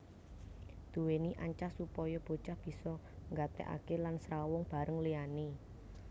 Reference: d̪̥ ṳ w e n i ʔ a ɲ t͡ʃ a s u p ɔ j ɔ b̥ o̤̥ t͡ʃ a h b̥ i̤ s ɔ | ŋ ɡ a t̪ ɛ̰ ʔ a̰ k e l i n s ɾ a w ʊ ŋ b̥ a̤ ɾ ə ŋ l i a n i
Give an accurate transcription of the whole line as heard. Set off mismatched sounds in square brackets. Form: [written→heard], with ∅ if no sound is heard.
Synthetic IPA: d̪̥ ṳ w e n i ʔ a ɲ t͡ʃ a s u p ɔ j ɔ b̥ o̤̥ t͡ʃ a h b̥ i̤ s ɔ | ŋ ɡ a t̪ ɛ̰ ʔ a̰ k e l [i→a] n s ɾ a w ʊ ŋ b̥ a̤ ɾ ə ŋ l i a n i